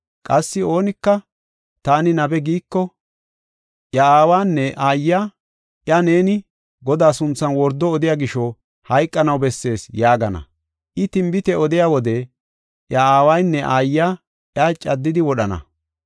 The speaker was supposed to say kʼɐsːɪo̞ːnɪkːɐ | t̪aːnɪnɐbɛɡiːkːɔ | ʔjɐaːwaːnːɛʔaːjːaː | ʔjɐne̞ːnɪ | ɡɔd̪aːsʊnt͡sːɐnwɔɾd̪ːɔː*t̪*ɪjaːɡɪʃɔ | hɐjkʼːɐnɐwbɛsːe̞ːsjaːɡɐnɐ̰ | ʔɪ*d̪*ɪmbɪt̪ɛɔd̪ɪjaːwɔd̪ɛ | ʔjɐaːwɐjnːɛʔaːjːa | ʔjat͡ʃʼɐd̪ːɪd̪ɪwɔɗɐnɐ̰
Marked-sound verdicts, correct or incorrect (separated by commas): incorrect, incorrect